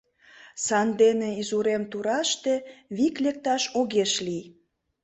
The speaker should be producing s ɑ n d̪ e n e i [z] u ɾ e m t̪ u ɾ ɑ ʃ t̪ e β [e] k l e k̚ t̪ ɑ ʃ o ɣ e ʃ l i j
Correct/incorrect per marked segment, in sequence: correct, incorrect: i

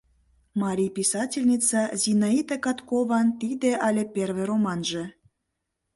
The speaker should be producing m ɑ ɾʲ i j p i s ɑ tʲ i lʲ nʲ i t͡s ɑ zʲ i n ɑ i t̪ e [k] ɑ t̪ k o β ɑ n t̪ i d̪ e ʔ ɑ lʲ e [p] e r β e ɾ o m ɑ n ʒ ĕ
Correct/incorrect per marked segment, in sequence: correct, correct

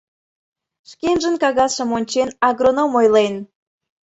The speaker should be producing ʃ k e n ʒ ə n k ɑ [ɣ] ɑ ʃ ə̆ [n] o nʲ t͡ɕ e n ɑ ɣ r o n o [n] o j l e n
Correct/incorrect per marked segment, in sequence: correct, incorrect: m, incorrect: m

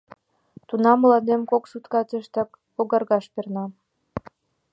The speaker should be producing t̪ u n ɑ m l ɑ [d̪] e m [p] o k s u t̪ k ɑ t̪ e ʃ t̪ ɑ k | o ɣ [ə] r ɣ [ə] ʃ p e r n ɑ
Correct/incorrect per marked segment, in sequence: correct, incorrect: k, incorrect: ɑ, incorrect: ɑ

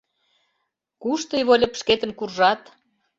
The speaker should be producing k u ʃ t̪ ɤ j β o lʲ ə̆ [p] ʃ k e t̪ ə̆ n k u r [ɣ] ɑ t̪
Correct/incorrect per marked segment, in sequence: correct, incorrect: ʒ

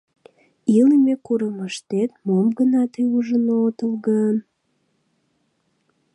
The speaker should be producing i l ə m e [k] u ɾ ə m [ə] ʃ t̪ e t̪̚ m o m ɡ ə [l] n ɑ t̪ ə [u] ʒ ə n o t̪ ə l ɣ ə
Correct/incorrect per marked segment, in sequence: correct, correct, incorrect: none, correct

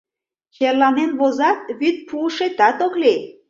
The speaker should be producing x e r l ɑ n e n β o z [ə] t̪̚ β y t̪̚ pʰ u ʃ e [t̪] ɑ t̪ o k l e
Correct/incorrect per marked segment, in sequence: incorrect: ɑ, correct

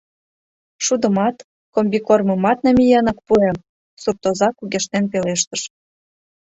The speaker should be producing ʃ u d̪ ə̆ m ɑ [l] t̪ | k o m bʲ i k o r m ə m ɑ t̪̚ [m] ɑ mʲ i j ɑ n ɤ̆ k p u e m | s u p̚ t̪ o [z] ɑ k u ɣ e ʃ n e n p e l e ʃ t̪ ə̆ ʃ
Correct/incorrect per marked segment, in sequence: incorrect: none, incorrect: n, correct

